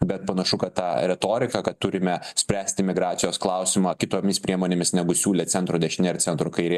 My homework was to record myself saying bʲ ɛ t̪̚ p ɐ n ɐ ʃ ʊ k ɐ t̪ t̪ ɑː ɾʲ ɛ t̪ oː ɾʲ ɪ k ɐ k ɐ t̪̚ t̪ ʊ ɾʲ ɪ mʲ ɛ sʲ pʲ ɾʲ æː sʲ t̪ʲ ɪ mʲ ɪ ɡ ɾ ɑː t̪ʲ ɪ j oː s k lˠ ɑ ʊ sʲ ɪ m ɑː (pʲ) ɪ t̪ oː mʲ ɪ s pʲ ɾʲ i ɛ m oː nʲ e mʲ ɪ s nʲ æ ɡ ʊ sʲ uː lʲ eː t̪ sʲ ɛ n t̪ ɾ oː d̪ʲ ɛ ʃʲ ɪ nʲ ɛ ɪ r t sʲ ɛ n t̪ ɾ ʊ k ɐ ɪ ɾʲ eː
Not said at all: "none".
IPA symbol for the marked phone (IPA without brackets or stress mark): kʲ